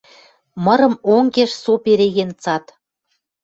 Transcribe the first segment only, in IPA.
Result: m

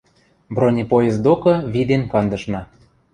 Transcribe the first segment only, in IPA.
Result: b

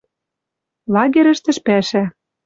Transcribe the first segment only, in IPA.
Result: l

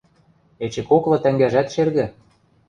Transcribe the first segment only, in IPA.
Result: e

